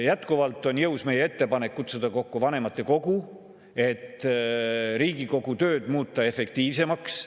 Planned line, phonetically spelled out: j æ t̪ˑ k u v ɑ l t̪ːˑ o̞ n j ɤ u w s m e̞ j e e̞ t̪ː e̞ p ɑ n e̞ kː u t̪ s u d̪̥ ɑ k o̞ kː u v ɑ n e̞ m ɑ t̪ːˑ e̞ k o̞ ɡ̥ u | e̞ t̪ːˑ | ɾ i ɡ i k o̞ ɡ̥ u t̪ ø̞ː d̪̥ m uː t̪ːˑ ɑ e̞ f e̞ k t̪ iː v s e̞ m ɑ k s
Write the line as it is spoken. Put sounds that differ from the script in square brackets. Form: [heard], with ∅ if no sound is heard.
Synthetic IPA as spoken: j æ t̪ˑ k u v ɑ l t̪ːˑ o̞ n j ɤ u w s m e̞ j e e̞ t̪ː e̞ p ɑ n e̞ kː u t̪ s u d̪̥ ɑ k o̞ kː u v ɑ n e̞ m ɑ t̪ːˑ e̞ k o̞ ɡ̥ u | e̞ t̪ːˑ | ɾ [iː] ɡ i k o̞ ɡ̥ u t̪ ø̞ː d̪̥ m uː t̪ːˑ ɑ e̞ f e̞ k t̪ iː v s e̞ m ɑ k s